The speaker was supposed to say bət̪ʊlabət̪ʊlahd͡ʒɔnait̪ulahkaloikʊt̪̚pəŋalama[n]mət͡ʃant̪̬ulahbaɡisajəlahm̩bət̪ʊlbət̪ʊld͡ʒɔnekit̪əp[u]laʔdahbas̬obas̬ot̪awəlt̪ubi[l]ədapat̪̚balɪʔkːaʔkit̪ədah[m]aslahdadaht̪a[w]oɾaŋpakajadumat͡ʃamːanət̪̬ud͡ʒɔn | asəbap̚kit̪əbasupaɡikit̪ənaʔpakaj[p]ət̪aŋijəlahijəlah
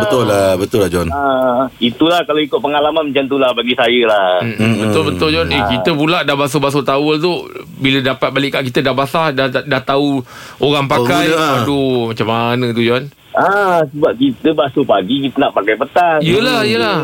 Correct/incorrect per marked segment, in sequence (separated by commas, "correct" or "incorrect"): correct, correct, correct, incorrect, incorrect, correct